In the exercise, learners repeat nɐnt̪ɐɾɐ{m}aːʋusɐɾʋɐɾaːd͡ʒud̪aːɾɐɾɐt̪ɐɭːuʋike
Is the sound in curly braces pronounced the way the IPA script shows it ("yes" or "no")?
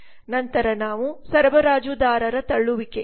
no